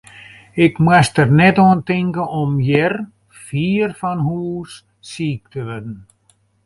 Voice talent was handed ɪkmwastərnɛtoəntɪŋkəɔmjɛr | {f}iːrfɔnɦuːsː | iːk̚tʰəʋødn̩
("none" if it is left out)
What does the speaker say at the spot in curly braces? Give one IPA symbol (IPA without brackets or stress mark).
f